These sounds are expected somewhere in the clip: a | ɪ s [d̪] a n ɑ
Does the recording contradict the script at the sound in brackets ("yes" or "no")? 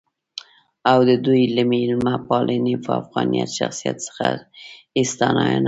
yes